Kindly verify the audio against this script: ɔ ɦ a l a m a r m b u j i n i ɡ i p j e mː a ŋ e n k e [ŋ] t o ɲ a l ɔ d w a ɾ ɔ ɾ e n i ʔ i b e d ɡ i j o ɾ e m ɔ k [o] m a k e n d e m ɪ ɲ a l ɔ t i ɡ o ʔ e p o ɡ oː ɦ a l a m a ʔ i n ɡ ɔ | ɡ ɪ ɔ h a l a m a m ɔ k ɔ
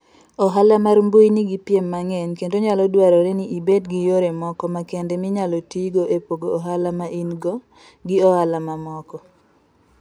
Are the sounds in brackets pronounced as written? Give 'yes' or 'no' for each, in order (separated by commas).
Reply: no, no